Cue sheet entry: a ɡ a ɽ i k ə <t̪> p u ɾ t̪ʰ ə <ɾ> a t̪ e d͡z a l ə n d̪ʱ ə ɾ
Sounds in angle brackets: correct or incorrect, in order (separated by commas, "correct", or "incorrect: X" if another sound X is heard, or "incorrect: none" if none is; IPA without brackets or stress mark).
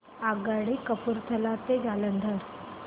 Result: incorrect: none, incorrect: l